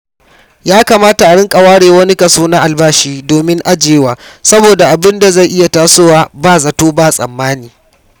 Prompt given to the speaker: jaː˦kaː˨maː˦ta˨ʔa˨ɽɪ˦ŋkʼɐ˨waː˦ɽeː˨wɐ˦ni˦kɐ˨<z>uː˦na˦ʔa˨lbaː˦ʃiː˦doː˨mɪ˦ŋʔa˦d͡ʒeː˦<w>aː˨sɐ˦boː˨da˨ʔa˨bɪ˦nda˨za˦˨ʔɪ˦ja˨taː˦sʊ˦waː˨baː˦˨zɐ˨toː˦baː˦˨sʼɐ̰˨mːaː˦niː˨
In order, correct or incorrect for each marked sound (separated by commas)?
incorrect, correct